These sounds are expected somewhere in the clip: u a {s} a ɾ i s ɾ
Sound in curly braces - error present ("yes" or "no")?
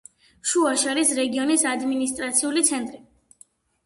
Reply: yes